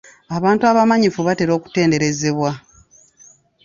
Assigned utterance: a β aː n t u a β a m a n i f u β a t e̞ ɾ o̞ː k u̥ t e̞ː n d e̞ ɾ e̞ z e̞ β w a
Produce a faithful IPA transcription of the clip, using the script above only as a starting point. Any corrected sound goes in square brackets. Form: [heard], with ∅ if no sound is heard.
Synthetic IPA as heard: a β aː n t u a β a m a [ɲ] i f u β a t e̞ ɾ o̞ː k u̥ t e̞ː n d e̞ ɾ e̞ z e̞ β w a